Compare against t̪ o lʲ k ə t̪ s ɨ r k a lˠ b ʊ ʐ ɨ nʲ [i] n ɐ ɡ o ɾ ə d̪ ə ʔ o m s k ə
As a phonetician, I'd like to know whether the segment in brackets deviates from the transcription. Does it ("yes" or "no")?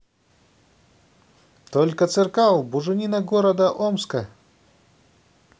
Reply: no